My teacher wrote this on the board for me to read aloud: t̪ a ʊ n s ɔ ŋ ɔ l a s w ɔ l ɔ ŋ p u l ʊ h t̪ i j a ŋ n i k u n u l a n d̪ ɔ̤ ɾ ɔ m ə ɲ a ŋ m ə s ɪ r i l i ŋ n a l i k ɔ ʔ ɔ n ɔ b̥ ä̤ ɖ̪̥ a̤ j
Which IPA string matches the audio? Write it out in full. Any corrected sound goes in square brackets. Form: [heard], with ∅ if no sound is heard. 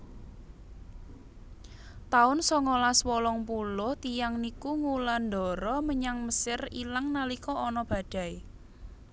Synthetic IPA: t̪ a ʊ n s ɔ ŋ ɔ l a s w ɔ l ɔ ŋ p u l ʊ h t̪ i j a ŋ n i k u [ŋ] u l a n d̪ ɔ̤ ɾ ɔ m ə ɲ a ŋ m ə s ɪ r i l [a] ŋ n a l i k ɔ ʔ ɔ n ɔ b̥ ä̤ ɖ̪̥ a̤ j